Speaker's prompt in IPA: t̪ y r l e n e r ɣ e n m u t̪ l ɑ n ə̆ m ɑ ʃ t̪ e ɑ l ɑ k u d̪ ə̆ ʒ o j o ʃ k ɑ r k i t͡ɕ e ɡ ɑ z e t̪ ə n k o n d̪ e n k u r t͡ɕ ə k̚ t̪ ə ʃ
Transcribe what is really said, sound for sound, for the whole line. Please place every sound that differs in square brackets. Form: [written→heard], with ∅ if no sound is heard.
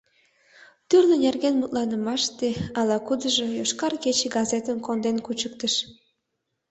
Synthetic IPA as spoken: t̪ y r l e n e r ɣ e n m u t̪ l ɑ n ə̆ m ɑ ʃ t̪ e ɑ l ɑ k u d̪ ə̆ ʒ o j o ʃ k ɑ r k [i→e] t͡ɕ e ɡ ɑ z e t̪ ə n k o n d̪ e n k u [r→∅] t͡ɕ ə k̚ t̪ ə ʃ